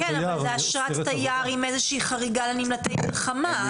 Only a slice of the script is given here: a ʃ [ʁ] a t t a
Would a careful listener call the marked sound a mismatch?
no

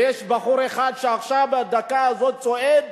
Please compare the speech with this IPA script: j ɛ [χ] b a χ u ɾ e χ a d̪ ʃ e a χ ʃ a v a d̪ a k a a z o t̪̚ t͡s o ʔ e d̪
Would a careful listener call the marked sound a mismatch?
yes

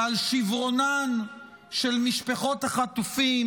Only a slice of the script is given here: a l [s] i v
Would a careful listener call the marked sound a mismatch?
yes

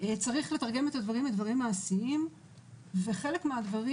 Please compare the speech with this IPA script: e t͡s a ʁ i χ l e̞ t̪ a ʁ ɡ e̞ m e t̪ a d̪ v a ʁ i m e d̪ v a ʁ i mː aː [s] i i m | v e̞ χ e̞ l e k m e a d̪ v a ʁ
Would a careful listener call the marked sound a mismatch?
no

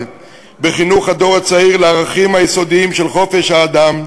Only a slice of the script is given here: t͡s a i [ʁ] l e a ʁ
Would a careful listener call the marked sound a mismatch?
no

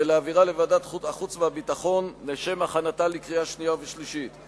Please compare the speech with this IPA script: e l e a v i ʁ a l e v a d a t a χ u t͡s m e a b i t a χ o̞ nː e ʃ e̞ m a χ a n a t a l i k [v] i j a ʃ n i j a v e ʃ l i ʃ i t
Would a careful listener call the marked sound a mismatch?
yes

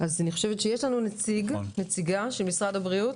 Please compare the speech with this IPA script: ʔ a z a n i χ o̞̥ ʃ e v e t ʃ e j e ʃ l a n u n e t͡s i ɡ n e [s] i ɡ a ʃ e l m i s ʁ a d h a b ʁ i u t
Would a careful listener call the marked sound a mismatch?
yes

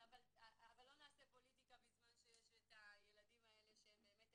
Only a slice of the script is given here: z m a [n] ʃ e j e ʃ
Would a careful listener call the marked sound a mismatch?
no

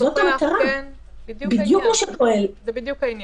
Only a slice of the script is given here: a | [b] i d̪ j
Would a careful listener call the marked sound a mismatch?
no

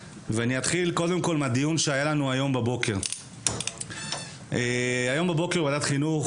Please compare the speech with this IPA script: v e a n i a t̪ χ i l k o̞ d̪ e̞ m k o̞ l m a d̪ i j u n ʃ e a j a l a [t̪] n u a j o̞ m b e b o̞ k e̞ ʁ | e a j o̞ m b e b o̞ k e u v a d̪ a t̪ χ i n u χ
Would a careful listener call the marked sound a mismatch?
yes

